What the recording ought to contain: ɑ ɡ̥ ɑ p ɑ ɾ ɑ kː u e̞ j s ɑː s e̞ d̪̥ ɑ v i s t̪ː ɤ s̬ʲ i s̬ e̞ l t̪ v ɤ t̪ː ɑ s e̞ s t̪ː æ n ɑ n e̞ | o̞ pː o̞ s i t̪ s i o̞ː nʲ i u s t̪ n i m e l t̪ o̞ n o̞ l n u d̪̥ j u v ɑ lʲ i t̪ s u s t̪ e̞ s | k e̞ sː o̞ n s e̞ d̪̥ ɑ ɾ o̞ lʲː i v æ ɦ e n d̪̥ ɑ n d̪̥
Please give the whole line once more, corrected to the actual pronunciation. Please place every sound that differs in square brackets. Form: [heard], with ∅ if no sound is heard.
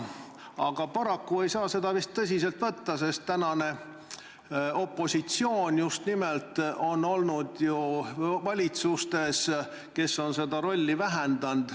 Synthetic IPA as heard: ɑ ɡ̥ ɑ p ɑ ɾ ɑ kː u e̞ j s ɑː s e̞ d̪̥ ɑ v i s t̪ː ɤ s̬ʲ i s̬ e̞ l t̪ v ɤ t̪ː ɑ s e̞ s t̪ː æ n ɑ n e̞ | o̞ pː o̞ s i t̪ s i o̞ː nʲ [j] u s t̪ n i m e l t̪ o̞ n o̞ l n u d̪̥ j u v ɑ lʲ i t̪ s u s t̪ e̞ s | k e̞ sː o̞ n s e̞ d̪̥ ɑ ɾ o̞ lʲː i v æ ɦ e n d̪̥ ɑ n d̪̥